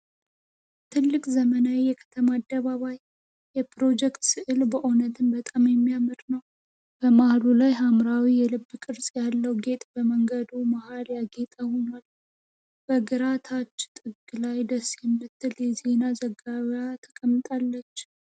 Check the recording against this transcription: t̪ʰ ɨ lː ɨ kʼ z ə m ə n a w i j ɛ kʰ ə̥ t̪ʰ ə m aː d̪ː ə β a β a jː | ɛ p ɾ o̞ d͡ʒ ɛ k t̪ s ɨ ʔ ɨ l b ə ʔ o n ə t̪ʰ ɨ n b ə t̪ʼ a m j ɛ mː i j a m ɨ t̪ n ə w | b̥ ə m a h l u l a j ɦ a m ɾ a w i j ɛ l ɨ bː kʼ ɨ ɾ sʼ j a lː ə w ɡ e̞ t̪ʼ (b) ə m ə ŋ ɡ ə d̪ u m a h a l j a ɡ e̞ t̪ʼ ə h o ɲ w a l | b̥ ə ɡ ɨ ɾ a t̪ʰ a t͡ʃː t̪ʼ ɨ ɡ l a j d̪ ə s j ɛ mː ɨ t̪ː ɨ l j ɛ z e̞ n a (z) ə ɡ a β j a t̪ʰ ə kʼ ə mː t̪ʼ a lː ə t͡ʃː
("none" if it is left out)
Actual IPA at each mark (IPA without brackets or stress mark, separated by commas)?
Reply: b, z